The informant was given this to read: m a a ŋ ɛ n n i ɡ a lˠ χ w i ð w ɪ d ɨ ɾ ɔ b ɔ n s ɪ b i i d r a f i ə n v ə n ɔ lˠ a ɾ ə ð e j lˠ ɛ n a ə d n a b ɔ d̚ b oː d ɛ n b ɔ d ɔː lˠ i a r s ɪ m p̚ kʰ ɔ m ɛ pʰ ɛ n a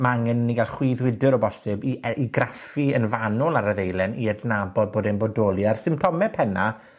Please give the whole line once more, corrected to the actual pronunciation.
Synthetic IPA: m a a ŋ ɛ n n i ɡ a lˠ χ w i ð w ɪ d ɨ ɾ ɔ b ɔ s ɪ b i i ɡ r a f i ə n v a n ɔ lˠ a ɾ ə ð e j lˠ ɛ n i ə d n a b ɔ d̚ b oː d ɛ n b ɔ d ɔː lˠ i a r s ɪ m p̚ tʰ ɔ m ɛ pʰ ɛ n a